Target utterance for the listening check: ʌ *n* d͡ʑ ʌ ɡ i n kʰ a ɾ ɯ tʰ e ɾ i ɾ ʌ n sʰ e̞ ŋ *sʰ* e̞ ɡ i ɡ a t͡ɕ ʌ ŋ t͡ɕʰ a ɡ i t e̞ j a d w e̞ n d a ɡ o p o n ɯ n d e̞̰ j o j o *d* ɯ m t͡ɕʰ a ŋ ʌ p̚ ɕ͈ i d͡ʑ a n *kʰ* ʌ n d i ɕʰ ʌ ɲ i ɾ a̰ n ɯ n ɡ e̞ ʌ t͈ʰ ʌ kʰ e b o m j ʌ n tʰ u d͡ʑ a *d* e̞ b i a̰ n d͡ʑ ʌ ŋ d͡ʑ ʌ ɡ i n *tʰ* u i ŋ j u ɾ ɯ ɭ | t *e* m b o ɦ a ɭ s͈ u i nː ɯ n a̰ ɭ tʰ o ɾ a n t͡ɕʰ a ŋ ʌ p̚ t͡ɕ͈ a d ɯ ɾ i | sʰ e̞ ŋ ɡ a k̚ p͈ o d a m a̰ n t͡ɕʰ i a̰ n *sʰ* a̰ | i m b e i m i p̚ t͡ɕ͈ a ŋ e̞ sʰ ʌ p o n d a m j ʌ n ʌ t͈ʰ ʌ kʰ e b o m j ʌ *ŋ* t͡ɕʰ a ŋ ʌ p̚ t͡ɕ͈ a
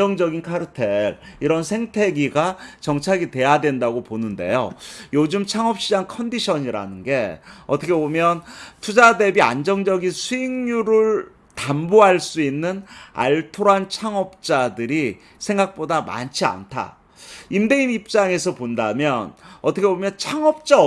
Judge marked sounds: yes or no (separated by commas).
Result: no, no, no, yes, yes, no, no, no, no